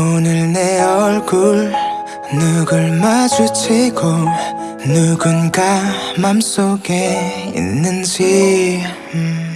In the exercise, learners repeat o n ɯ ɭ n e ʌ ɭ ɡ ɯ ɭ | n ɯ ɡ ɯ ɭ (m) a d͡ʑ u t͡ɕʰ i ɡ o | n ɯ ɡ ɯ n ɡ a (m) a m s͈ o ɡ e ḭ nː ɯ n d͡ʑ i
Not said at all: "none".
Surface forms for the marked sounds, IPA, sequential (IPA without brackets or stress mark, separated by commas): m, m